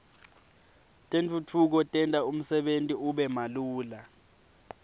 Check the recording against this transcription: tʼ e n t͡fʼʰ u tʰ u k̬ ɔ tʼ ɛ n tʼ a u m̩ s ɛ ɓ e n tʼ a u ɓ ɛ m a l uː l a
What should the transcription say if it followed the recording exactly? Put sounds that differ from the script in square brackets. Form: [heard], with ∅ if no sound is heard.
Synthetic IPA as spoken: tʼ e n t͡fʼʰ u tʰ u k̬ ɔ tʼ ɛ n tʼ a u m̩ s ɛ ɓ e n tʼ [i] u ɓ ɛ m a l uː l a